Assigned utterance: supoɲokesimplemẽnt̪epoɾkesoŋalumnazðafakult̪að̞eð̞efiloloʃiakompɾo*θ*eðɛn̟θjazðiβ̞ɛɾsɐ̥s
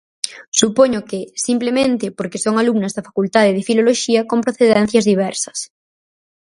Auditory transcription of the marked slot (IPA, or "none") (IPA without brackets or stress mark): θ